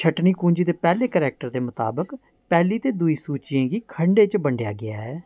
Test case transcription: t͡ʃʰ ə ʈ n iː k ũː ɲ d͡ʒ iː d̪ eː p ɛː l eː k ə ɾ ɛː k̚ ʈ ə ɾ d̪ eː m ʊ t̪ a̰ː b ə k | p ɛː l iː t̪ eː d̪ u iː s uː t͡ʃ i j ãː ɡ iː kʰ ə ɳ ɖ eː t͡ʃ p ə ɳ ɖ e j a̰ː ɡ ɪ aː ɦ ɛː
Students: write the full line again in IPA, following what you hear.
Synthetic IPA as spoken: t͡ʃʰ ə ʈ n iː k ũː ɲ d͡ʒ iː d̪ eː p ɛː l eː k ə ɾ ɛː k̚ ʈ ə ɾ d̪ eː m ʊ t̪ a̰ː b ə k | p ɛː l iː t̪ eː d̪ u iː s uː t͡ʃ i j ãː ɡ iː kʰ ə ɳ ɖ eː t͡ʃ b ə ɳ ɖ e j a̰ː ɡ ɪ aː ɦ ɛː